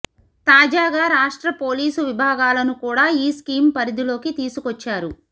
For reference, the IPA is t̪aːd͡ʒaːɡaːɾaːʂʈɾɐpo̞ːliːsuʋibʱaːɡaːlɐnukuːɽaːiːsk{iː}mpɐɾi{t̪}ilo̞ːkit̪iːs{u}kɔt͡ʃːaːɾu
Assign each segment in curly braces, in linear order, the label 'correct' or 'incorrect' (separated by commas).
correct, incorrect, correct